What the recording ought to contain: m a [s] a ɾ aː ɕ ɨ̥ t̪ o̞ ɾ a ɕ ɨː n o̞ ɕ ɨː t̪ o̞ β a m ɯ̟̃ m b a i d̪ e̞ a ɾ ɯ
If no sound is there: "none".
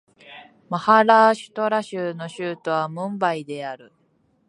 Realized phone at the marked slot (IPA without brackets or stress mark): h